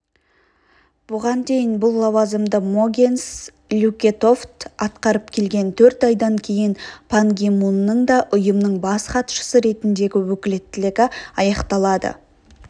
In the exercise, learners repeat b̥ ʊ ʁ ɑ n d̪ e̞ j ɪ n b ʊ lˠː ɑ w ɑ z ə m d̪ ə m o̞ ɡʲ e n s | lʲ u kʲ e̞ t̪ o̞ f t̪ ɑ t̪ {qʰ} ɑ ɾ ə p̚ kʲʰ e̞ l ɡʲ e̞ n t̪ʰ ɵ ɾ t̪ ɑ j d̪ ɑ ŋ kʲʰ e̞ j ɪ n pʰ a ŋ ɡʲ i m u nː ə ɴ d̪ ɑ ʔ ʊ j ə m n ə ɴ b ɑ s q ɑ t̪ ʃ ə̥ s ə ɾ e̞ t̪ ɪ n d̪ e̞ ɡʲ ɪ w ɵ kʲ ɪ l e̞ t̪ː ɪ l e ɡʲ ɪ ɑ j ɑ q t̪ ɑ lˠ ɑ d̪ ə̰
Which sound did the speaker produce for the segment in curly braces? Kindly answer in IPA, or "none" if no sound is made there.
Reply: q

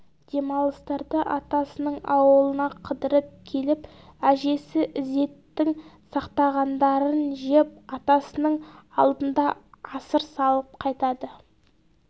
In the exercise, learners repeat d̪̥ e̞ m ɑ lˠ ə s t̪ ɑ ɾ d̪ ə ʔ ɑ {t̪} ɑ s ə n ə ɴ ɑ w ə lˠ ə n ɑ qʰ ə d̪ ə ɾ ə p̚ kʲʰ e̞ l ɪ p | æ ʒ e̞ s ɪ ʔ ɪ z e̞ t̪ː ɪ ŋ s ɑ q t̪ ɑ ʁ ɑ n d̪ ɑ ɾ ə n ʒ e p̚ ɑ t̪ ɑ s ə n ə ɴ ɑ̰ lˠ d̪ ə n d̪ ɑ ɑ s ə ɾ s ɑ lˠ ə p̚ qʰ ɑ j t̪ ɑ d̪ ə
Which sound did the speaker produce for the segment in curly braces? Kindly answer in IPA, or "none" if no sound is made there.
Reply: t̪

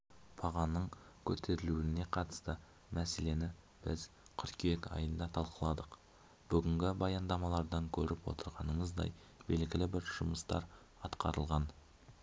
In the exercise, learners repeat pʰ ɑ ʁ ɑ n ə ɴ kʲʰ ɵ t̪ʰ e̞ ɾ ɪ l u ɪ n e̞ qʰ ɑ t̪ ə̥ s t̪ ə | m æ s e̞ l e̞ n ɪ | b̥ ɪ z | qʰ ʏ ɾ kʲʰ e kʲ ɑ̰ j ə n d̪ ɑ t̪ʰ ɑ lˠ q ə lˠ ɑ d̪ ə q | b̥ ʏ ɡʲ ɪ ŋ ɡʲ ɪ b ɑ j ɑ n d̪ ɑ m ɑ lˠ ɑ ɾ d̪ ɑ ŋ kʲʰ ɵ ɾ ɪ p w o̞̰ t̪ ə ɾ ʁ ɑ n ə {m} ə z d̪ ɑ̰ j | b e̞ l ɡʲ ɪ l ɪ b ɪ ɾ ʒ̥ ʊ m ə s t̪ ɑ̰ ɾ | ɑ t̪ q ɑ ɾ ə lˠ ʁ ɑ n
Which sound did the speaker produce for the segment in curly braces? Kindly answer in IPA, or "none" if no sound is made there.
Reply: ɴ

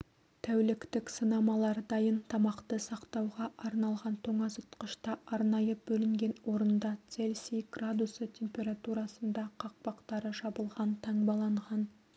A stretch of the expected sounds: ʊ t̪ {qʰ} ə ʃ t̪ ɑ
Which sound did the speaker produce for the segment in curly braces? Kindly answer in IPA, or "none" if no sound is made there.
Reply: q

